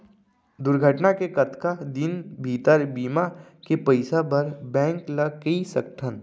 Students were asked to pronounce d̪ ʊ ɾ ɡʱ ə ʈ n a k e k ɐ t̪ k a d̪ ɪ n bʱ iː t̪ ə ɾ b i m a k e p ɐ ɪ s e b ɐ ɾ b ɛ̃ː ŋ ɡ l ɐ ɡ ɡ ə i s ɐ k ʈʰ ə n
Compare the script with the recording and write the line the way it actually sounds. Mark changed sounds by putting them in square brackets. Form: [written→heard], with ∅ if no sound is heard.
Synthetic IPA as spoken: d̪ ʊ ɾ ɡʱ ə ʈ n a k e k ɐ t̪ k a d̪ ɪ n bʱ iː t̪ ə ɾ b [i→iː] m a k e p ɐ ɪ s [e→a] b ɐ ɾ b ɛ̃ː ŋ [ɡ→k] l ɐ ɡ [ɡ→k] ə i s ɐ k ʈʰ ə n